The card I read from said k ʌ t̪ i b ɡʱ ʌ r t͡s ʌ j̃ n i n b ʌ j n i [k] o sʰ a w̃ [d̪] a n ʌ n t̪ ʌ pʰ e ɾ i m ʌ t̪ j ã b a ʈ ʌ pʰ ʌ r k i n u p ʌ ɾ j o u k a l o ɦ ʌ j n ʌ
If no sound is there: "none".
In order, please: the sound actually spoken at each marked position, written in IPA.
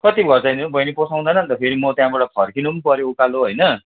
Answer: p, d̪

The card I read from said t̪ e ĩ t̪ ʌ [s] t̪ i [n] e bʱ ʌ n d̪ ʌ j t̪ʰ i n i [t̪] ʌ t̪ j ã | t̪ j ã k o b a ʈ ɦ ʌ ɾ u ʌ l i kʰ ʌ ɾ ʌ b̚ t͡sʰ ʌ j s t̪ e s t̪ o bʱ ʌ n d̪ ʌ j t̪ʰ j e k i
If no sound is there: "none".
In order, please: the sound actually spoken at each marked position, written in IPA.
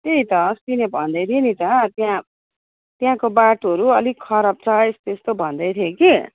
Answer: s, n, t̪

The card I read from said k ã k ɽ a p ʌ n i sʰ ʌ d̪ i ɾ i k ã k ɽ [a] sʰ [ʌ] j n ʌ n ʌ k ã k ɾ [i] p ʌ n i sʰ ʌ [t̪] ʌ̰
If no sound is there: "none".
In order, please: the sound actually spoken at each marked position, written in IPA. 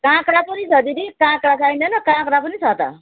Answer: a, a, a, t̪

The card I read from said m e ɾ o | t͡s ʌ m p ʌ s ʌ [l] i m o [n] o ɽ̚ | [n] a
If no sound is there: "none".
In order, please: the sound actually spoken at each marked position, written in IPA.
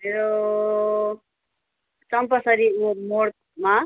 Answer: ɾ, m, m

